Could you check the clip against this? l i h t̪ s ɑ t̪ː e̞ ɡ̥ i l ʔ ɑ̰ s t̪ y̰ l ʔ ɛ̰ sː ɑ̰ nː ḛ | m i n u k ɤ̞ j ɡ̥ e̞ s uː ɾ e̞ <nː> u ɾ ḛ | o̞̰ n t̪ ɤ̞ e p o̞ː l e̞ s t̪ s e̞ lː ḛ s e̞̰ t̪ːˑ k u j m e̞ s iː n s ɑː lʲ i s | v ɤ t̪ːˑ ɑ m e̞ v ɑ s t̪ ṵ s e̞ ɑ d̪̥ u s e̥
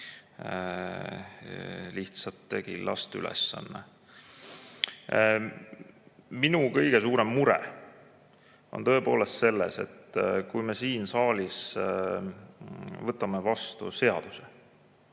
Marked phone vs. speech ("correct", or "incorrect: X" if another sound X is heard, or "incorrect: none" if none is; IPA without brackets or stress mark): incorrect: mː